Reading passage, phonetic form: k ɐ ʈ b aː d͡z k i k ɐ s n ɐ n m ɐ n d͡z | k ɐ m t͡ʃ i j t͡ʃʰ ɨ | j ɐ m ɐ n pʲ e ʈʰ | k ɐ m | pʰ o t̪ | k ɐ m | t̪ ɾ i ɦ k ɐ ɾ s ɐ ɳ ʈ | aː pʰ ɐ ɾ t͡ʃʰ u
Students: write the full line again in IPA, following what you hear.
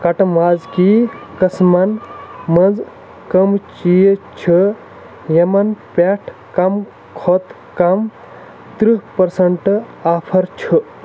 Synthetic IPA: k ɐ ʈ m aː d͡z k i k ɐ s m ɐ n m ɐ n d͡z | k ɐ m t͡ʃ i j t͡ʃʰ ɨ | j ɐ m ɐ n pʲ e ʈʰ | k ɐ m | kʰ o t̪ | k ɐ m | t̪ ɾ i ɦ p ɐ ɾ s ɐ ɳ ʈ | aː pʰ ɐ ɾ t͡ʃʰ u